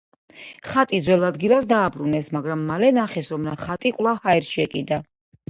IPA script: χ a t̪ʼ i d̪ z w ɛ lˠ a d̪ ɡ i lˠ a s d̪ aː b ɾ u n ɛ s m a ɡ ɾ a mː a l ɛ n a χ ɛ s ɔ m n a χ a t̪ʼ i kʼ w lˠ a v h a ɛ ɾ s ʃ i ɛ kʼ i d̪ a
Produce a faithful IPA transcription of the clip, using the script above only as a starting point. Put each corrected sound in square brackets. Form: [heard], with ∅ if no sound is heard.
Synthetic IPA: χ a t̪ʼ i d̪ z w ɛ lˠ a d̪ ɡ i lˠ a s d̪ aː b ɾ u n ɛ s m a ɡ ɾ a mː a l ɛ n a χ ɛ s ɔ m n a χ a t̪ʼ i kʼ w lˠ a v h a ɛ ɾ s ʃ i ɛ kʼ i d̪ a